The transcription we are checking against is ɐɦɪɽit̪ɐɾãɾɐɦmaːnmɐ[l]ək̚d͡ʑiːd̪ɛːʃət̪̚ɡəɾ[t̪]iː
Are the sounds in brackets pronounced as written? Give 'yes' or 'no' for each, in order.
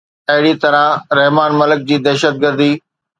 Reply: yes, no

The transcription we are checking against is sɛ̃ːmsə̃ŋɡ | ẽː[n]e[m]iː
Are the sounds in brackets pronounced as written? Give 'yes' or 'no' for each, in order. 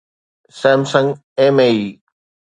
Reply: no, no

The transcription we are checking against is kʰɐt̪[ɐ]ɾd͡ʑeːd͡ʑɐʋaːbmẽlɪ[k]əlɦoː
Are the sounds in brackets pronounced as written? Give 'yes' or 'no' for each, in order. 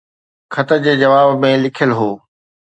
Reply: no, no

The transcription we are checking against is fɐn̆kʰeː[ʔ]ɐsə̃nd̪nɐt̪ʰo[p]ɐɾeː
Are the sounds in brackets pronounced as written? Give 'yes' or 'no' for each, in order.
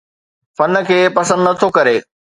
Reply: no, no

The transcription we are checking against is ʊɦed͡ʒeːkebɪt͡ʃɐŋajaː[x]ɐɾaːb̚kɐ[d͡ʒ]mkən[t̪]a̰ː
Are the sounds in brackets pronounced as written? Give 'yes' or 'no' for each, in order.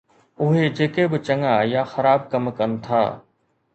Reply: yes, no, no

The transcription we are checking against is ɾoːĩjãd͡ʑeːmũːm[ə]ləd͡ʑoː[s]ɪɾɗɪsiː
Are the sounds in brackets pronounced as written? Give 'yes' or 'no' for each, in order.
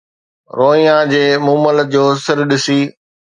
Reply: yes, yes

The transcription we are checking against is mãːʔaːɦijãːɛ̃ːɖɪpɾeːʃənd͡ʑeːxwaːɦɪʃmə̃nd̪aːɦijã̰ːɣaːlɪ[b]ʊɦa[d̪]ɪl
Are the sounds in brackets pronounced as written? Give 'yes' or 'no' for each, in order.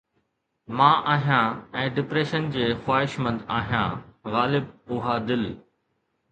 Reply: yes, yes

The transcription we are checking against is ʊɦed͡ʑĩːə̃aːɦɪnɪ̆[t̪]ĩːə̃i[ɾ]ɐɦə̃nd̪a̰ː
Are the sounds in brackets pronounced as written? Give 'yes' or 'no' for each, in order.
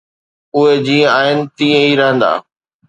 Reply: yes, yes

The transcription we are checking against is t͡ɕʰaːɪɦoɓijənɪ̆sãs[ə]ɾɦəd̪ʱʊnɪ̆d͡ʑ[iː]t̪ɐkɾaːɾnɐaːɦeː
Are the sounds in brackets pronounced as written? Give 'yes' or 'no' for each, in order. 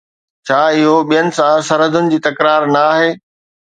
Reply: no, yes

